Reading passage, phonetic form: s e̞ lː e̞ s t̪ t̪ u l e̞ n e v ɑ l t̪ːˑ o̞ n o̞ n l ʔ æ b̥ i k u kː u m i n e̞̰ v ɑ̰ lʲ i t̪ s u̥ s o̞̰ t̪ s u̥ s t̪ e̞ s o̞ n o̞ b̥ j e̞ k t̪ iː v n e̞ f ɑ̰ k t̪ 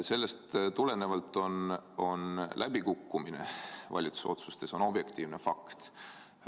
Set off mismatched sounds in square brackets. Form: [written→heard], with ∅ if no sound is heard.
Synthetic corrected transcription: s e̞ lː e̞ s t̪ t̪ u l e̞ n e v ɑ l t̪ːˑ o̞ n o̞ n l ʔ æ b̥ i k u kː u m i n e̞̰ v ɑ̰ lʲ i t̪ s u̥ s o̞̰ t̪ s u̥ s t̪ e̞ s o̞ n o̞ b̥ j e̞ k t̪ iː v n e̞ f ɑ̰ k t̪